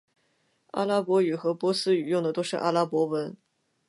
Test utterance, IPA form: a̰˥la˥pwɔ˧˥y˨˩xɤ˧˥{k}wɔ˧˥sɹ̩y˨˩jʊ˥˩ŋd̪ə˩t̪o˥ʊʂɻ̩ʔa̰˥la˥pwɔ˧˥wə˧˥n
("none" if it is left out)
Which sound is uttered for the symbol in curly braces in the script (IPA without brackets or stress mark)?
p